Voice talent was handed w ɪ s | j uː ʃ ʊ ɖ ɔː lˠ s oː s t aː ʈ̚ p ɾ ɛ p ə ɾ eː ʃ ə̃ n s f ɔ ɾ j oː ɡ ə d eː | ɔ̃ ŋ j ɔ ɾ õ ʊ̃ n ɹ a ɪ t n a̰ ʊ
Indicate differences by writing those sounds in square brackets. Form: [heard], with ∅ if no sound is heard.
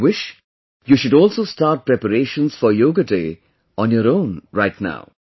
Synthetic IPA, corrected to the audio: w ɪ [ʃ] | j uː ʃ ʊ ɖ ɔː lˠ s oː s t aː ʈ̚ p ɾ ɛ p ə ɾ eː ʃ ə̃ n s f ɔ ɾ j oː ɡ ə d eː | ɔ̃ [n] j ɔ ɾ õ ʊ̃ n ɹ a ɪ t n a̰ ʊ